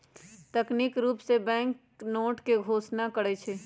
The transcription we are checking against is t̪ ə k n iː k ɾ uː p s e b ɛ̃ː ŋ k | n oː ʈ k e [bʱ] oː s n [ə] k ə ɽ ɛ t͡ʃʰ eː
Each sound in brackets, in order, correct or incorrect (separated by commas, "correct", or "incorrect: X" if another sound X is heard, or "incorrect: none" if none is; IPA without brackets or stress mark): incorrect: ɡʱ, incorrect: a